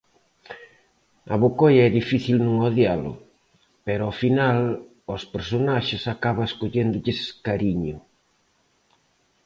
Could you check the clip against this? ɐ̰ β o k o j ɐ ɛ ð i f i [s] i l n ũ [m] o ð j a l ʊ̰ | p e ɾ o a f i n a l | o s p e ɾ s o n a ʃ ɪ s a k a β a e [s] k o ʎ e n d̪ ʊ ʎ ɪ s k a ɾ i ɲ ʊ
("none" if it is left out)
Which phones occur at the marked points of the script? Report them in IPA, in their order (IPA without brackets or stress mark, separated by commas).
θ, ŋ, s